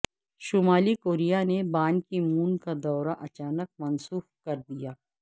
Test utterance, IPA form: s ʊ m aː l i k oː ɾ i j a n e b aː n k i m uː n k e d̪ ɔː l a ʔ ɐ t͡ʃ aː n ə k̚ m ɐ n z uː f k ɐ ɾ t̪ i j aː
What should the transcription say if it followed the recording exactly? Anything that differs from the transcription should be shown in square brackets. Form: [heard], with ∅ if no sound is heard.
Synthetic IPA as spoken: [ʃ] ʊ m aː l i k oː ɾ i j a n e b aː n k i m uː n k [a] d̪ ɔː [ɾ] a ʔ ɐ t͡ʃ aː n ə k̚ m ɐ n [s] uː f k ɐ ɾ [d̪] i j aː